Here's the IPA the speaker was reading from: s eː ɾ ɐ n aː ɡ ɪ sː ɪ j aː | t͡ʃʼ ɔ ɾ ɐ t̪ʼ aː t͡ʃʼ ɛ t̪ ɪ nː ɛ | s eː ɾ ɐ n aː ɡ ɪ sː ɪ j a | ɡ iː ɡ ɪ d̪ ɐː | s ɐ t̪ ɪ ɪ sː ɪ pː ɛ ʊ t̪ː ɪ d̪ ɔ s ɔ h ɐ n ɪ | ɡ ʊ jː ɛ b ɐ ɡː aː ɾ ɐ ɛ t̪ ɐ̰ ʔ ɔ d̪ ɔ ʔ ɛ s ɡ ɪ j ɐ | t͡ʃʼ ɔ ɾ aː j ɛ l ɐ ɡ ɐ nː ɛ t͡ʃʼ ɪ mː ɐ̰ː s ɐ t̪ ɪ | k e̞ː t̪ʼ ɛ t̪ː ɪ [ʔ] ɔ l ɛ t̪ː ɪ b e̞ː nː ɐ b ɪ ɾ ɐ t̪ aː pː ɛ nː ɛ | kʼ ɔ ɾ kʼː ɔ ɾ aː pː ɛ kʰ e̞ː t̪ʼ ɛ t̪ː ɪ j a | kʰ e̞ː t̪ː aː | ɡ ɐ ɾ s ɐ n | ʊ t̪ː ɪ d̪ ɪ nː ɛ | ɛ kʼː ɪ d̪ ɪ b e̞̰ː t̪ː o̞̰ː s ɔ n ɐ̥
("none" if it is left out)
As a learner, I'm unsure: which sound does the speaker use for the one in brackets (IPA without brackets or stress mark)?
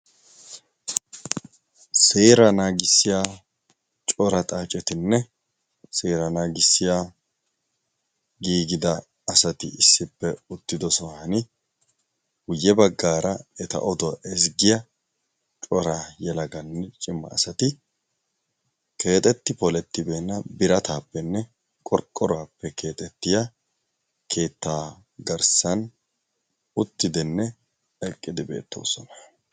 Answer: p